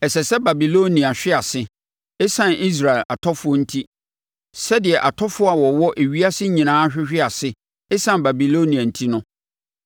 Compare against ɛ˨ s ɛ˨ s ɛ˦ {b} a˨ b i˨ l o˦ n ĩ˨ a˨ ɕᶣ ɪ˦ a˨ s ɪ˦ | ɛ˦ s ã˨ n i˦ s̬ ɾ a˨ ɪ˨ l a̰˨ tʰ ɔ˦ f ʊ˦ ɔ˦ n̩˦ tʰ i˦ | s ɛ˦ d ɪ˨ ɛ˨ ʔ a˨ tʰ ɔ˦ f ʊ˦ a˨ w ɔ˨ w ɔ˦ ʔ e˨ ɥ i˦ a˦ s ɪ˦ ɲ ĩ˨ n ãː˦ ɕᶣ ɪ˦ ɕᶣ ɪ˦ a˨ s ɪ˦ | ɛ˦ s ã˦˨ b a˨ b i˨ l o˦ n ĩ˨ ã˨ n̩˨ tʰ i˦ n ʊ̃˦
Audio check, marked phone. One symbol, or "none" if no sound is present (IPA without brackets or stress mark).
b